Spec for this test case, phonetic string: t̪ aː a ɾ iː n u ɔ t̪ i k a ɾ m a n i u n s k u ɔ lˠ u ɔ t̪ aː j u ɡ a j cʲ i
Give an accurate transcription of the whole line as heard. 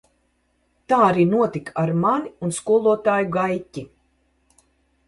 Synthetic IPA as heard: t̪ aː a ɾ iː n u ɔ t̪ i k a ɾ m a n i u n s k u ɔ lˠ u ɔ t̪ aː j u ɡ a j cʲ i